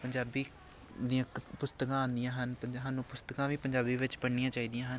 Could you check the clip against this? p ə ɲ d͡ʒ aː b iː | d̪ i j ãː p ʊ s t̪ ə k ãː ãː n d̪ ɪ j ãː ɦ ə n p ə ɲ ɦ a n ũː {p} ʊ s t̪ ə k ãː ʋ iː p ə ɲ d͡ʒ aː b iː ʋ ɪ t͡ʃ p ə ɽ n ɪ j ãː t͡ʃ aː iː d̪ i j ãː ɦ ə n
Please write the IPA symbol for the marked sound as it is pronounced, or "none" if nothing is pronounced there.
p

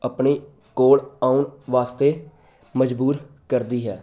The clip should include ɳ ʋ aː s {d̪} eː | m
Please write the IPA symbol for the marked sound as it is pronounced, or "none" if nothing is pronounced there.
t̪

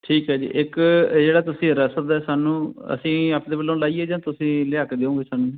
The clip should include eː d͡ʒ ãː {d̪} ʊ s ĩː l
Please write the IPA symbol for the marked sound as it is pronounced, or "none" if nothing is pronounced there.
t̪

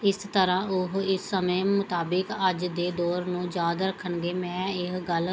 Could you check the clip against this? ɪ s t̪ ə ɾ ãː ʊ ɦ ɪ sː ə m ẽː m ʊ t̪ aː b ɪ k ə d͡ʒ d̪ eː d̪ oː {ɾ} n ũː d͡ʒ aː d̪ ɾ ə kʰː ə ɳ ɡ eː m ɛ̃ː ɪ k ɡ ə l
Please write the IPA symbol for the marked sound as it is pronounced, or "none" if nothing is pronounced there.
ɾ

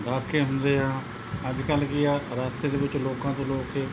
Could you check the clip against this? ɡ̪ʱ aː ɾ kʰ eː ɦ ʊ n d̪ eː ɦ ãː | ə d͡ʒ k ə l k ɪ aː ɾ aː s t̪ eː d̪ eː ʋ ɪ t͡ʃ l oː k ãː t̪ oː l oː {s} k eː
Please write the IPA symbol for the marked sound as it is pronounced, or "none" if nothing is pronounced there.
none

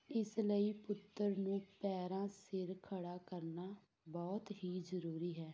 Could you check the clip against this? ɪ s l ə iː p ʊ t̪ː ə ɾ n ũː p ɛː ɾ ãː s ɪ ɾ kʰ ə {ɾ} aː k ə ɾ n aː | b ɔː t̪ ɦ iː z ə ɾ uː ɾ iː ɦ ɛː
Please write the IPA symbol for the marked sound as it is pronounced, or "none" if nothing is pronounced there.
ɽ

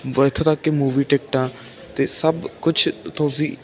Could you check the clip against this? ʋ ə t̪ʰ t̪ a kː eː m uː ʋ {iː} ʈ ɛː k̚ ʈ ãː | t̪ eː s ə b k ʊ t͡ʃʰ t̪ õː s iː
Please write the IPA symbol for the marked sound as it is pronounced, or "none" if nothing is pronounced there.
iː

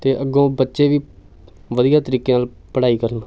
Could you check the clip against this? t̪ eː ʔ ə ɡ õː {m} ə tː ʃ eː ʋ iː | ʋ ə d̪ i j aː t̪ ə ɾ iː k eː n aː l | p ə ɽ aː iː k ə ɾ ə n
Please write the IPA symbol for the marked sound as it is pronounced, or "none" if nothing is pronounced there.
b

